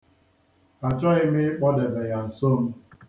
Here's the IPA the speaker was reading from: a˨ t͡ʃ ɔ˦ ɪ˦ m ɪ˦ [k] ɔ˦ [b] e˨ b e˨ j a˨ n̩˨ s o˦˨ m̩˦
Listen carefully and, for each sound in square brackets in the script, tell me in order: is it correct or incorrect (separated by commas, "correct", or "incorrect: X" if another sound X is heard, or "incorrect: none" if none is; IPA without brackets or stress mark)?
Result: incorrect: k͡p, incorrect: d